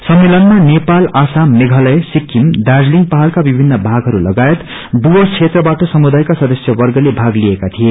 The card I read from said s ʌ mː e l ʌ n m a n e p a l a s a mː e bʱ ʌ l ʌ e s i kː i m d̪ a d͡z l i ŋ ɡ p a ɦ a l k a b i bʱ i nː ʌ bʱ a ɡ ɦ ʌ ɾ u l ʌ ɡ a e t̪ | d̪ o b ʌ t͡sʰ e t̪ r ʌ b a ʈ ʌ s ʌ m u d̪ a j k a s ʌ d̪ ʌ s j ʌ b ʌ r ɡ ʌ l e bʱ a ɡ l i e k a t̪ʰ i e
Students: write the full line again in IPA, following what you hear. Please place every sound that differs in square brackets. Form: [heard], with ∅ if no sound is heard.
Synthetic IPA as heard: s ʌ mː e l ʌ n m a n e p a l a s a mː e [ɡʱ] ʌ l ʌ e s i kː i m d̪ a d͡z l i ŋ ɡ p a ɦ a l k a b i bʱ i nː ʌ bʱ a ɡ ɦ ʌ ɾ u l ʌ ɡ a e t̪ | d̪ [u] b ʌ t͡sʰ e t̪ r ʌ b a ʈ ʌ s ʌ m u d̪ a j k a s ʌ d̪ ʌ s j ʌ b ʌ r ɡ ʌ l e bʱ a ɡ l i e k a t̪ʰ i e

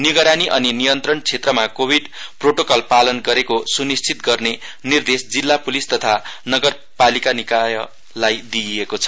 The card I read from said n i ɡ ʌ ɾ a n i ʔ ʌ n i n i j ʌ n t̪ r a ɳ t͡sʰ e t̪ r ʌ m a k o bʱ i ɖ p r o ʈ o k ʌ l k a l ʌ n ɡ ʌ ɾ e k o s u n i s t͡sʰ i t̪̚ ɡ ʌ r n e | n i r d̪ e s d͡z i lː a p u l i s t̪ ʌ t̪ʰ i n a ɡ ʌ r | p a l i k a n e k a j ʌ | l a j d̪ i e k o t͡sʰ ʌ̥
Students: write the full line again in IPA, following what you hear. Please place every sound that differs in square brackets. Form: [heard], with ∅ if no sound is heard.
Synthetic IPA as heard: n i ɡ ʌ ɾ a n i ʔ ʌ n i n i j ʌ n t̪ r [ʌ] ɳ t͡sʰ e t̪ r ʌ m a k o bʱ i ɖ p r o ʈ o k ʌ l [p] a l ʌ n ɡ ʌ ɾ e k o s u n i s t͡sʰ i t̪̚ ɡ ʌ r n e | n i r d̪ e s d͡z i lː a p u l i s t̪ ʌ t̪ʰ [a] n [ʌ] ɡ ʌ r | p a l i k a n [i] k a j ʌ | l a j d̪ i e k o t͡sʰ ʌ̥

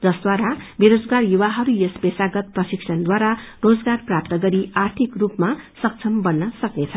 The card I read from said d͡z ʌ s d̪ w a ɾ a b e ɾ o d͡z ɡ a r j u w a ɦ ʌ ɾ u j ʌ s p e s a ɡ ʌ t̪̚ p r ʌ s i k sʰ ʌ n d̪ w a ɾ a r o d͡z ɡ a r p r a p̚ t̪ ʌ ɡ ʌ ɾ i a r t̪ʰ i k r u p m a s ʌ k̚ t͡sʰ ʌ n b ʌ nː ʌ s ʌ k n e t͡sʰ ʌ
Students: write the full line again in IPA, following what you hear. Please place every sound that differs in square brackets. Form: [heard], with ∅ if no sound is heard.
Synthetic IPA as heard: d͡z ʌ s d̪ w a ɾ a b e ɾ o d͡z ɡ a r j u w a ɦ ʌ ɾ u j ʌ s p e s a ɡ ʌ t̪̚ p r ʌ s i k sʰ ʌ n d̪ w a ɾ a r o d͡z ɡ a r p r a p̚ t̪ ʌ ɡ ʌ ɾ i a r t̪ʰ i k r u p m a s ʌ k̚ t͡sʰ ʌ [m] b ʌ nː ʌ s ʌ k n e t͡sʰ ʌ

